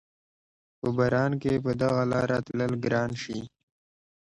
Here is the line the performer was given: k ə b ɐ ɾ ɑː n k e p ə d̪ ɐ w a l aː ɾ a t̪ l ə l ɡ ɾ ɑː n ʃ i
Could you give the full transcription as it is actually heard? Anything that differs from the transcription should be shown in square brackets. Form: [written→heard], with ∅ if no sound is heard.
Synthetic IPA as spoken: [k→p] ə b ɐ ɾ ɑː n k e p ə d̪ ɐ [w→ɣ] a l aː ɾ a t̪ l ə l ɡ ɾ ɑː n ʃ i